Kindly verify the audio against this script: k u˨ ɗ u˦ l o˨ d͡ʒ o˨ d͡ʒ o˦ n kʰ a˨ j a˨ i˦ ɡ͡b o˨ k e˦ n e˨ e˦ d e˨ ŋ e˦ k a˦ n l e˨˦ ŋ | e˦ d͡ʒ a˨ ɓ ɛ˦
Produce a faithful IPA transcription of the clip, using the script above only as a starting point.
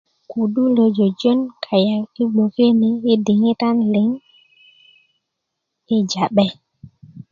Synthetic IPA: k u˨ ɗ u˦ l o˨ d͡ʒ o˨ d͡ʒ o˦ n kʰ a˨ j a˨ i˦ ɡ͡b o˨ k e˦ n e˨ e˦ d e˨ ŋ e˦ t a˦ n l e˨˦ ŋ | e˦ d͡ʒ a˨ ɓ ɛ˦